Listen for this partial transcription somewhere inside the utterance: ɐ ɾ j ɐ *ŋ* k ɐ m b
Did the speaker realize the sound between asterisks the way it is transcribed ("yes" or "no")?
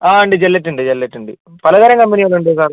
yes